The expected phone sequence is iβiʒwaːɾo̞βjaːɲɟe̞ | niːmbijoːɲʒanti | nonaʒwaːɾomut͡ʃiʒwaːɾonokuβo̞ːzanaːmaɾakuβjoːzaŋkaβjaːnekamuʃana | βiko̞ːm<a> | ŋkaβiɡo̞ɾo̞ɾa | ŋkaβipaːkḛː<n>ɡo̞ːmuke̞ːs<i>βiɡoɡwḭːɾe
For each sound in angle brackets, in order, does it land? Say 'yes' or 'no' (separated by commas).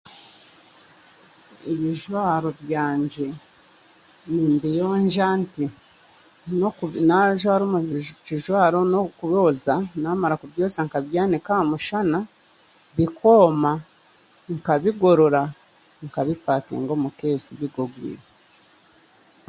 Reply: yes, no, yes